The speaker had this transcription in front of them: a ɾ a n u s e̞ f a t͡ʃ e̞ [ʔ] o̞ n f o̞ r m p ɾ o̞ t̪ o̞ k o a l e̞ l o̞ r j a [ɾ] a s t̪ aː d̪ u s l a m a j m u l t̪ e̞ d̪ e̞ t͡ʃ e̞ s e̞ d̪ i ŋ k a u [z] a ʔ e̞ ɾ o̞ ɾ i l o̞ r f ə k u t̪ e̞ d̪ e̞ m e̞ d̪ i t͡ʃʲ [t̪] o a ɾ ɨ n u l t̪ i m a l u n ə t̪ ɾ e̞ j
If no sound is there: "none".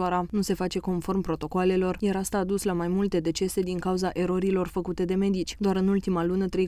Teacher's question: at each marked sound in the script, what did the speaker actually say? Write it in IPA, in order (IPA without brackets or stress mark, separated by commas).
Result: k, ɾ, z, d̪